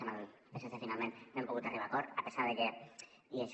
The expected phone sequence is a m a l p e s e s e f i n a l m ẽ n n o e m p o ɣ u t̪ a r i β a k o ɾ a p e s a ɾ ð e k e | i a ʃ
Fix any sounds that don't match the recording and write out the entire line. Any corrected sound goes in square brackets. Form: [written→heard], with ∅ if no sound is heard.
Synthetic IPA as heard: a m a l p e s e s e f i n a l m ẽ n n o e m p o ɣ u t̪ a r i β a k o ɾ a p e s a ɾ ð e k e | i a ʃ